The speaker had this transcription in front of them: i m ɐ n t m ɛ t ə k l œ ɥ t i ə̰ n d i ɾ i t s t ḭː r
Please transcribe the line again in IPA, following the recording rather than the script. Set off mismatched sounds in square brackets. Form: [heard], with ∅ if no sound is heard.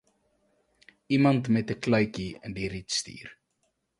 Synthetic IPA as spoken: i m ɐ n t m ɛ t ə k l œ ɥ [k] i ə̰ n d i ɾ i t s t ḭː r